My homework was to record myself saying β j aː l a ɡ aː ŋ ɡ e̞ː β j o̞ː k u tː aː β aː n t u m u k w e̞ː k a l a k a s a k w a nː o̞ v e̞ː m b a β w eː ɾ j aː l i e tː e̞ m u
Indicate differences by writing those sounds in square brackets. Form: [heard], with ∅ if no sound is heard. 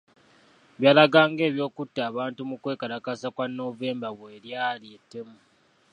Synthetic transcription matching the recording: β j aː l a ɡ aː ŋ ɡ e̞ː β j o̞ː k u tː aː β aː n t u m u k w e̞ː k a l a k a s a k w a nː o̞ v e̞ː m b a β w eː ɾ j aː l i e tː e̞ m u